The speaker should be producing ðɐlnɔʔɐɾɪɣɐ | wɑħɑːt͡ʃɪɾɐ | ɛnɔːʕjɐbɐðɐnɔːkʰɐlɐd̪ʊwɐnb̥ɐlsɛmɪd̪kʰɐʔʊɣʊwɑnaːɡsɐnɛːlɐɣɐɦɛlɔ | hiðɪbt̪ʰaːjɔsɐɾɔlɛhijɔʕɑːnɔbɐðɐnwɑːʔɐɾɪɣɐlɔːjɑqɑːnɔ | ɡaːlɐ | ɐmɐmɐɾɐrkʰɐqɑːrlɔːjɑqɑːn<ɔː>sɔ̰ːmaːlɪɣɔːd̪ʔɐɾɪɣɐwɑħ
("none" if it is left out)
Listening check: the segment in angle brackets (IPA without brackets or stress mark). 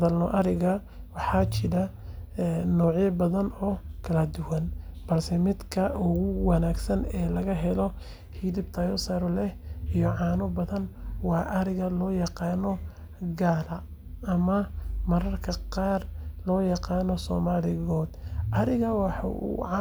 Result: ɔ